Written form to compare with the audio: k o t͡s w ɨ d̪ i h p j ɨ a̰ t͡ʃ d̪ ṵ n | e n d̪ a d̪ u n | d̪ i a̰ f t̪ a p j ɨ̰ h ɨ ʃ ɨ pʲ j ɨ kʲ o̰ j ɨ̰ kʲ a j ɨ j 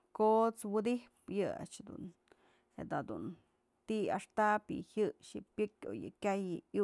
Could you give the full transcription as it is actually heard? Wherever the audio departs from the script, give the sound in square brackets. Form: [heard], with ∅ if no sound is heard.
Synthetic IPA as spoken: k o t͡s w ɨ d̪ i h p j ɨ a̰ t͡ʃ d̪ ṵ n | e [∅] d̪ a d̪ u n | [t̪] i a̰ [ʂ] t̪ a p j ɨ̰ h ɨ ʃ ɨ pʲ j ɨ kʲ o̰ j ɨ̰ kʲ a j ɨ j